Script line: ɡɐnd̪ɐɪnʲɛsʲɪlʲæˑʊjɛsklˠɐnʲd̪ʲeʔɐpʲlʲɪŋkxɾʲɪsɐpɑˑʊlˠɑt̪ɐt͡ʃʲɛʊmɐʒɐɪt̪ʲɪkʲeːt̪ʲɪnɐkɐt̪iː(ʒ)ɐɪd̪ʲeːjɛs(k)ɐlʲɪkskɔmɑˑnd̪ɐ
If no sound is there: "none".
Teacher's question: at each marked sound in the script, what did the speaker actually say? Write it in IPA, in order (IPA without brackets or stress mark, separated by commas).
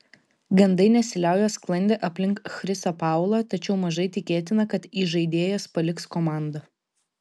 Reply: ʒ, p